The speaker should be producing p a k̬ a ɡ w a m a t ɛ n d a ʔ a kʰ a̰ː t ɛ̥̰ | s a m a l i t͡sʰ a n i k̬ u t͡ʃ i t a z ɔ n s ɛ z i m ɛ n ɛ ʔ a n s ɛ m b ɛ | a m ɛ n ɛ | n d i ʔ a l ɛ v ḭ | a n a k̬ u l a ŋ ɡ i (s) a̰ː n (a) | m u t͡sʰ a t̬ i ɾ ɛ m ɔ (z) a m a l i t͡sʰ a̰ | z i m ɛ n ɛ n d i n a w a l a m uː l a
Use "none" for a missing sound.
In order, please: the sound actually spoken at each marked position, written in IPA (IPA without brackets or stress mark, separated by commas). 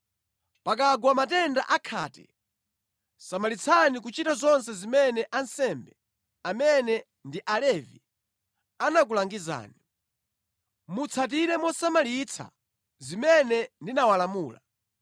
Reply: z, i, s